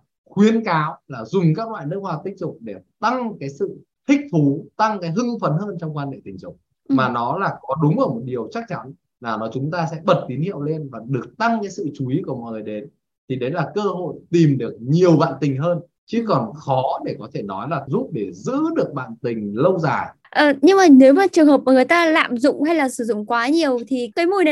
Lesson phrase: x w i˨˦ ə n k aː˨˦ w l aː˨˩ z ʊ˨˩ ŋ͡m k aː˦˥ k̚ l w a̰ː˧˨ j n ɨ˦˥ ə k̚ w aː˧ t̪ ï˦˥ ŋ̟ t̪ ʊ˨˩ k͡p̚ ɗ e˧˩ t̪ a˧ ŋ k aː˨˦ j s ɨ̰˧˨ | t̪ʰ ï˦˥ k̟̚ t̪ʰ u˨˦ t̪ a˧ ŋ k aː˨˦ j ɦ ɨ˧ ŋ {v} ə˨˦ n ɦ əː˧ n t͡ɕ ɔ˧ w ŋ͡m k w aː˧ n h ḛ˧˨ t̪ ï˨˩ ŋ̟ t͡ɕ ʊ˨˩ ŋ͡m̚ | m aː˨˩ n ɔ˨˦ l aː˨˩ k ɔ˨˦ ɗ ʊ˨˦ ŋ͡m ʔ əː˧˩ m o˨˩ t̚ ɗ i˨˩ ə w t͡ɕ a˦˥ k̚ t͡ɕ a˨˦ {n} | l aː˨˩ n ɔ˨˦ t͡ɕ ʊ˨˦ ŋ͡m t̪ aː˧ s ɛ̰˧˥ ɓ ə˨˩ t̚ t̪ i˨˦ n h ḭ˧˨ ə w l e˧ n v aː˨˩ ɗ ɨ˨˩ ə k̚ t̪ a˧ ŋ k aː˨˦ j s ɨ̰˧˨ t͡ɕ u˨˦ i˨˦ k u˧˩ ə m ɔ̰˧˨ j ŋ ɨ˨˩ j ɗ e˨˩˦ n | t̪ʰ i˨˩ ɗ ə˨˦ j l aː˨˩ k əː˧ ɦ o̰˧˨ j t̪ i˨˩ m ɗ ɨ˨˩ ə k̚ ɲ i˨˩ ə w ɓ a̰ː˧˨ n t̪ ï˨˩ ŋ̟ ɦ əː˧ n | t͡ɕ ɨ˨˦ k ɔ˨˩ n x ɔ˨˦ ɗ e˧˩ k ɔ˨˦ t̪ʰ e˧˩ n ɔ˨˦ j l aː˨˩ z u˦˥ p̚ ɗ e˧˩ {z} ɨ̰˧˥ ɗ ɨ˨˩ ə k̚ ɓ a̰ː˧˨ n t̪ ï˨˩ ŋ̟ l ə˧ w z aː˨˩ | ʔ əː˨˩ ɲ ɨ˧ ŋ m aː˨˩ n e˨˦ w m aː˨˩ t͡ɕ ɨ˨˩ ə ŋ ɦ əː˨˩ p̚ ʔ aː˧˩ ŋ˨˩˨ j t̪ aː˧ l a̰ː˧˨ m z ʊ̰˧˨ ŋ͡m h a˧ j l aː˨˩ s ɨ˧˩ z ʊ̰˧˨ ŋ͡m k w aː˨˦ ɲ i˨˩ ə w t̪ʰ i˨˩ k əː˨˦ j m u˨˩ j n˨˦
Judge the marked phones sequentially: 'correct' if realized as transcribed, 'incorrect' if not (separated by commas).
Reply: incorrect, correct, correct